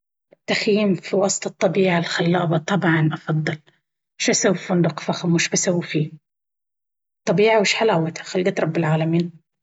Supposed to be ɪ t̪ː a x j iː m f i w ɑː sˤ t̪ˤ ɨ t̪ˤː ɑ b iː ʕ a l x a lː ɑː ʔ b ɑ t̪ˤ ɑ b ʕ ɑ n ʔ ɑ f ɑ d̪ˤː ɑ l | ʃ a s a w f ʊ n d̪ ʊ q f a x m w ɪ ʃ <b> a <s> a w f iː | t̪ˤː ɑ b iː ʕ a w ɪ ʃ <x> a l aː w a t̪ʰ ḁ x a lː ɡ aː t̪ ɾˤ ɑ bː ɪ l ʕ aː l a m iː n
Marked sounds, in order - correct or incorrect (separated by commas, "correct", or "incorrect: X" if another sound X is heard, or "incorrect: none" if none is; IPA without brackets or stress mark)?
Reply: correct, correct, incorrect: ħ